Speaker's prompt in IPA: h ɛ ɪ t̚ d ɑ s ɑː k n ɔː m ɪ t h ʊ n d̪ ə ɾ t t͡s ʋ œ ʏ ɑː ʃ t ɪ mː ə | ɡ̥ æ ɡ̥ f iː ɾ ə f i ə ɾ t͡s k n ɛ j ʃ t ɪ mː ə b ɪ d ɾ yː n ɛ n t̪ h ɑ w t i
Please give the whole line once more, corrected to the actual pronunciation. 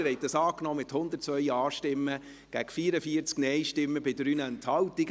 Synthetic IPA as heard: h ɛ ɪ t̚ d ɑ s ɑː k n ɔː m ɪ t h ʊ n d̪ ə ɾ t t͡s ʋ œ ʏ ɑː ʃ t ɪ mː ə | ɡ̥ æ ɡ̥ f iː ɾ ə f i ə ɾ t͡s k n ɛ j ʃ t ɪ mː ə b ɪ d ɾ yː n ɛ n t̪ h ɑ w t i